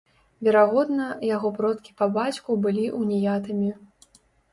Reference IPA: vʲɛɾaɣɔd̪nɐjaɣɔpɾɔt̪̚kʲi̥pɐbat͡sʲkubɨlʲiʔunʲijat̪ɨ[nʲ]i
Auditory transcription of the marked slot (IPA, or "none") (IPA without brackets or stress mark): mʲ